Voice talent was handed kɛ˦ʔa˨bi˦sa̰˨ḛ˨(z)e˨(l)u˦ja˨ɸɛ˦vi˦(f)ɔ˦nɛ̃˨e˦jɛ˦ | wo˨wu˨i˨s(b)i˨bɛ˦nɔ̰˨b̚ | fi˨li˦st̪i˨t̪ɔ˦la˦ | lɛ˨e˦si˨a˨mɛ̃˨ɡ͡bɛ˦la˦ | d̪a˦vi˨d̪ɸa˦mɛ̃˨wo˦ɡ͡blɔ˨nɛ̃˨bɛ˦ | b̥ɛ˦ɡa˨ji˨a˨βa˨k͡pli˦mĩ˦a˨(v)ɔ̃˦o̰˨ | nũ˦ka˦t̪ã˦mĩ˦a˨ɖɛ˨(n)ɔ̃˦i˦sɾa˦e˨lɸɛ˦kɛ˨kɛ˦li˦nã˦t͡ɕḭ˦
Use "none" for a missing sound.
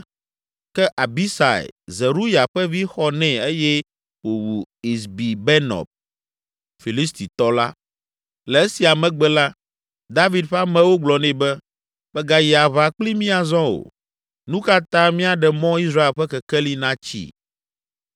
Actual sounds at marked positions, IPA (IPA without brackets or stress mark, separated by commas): z, ɾ, x, b, z, m